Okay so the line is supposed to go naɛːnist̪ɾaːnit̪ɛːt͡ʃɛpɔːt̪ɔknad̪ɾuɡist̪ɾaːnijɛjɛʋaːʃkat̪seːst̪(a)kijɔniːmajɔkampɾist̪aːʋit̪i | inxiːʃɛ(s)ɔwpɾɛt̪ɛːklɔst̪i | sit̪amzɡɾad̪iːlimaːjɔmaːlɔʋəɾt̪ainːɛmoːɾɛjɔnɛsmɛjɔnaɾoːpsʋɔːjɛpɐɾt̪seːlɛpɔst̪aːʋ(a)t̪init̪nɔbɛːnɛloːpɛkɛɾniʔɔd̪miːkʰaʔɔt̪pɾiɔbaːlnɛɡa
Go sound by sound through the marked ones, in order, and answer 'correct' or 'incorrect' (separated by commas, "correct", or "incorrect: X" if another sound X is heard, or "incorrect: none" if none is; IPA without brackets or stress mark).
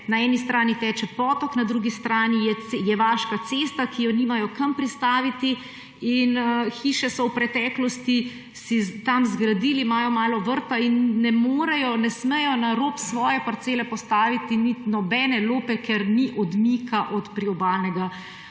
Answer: correct, correct, incorrect: i